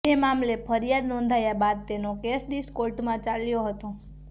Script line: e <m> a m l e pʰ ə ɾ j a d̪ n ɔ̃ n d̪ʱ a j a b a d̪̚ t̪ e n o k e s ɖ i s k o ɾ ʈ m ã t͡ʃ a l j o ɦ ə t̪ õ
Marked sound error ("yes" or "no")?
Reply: no